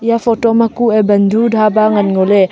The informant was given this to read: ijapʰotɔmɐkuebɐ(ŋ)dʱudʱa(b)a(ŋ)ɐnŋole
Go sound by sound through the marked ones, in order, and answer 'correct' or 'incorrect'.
incorrect, correct, correct

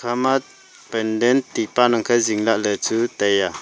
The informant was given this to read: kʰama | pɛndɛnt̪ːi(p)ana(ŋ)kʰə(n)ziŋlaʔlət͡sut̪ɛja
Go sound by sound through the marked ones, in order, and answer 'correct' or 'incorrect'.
correct, correct, incorrect

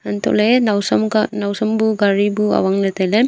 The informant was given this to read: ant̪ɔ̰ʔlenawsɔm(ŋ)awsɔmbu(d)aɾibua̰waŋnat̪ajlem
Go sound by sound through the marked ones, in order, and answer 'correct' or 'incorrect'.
incorrect, incorrect

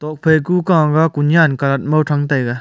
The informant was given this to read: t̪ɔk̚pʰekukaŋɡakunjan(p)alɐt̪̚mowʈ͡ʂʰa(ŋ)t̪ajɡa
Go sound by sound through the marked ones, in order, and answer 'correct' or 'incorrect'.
incorrect, correct

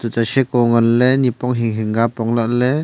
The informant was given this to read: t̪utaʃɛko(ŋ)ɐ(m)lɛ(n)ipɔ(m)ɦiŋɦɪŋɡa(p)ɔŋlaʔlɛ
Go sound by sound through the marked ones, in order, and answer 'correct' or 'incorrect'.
correct, incorrect, correct, incorrect, correct

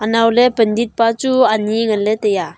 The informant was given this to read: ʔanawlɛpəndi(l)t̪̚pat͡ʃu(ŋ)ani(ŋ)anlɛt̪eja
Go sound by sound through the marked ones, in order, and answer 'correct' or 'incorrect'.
incorrect, incorrect, correct

